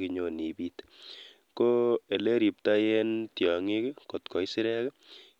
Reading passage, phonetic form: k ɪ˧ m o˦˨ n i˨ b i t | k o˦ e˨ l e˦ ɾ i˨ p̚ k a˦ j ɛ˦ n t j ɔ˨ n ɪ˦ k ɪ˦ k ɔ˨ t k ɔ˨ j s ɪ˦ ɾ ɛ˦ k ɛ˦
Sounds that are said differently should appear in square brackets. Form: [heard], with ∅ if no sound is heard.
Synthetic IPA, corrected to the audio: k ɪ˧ [ɲ] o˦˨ n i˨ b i t | k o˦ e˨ l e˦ ɾ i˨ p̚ [t] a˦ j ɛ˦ n t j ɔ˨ [ŋ] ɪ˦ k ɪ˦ k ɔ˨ t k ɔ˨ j s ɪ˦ ɾ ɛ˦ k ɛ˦

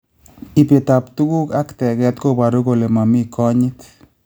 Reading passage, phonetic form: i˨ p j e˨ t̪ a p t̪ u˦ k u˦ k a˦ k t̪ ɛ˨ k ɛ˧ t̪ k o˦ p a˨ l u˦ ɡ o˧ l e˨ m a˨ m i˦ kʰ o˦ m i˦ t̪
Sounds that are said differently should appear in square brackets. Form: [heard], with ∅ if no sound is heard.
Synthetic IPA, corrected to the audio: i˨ p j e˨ t̪ a p t̪ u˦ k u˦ k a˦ k t̪ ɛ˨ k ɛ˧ t̪ k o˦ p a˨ [ɾ] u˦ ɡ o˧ l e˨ m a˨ m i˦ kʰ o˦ [ɲ] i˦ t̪

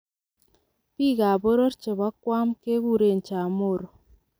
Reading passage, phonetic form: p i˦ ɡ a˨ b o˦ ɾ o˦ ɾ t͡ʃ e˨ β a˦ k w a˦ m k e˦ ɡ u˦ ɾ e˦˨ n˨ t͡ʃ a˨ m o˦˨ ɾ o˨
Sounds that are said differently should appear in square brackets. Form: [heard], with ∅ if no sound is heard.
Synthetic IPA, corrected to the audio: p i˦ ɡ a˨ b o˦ ɾ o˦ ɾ t͡ʃ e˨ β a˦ k w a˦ m k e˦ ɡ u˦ ɾ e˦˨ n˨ t͡ʃ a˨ m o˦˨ ɾ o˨

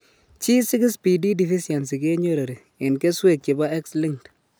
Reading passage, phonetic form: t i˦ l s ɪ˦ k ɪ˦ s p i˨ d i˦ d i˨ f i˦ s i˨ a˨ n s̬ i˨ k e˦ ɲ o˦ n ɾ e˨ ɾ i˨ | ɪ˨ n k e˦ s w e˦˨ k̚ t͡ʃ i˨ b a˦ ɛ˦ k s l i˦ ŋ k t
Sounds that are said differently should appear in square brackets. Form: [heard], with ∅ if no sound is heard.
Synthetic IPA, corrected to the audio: [t͡ʃ] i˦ [∅] s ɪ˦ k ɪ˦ s p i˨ d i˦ d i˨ f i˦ s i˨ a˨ n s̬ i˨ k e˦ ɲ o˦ [∅] ɾ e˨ ɾ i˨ | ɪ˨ n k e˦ s w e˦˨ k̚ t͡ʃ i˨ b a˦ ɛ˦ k s l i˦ ŋ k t

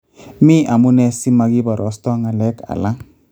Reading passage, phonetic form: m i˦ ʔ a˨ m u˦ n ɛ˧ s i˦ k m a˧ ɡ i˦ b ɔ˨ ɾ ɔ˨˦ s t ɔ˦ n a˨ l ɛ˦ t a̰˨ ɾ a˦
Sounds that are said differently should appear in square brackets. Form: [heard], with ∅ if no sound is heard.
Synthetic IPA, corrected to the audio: m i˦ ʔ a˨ m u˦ n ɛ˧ s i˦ [∅] m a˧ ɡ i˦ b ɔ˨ ɾ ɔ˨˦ s t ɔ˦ [ŋ] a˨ l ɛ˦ [k] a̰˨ [l] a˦

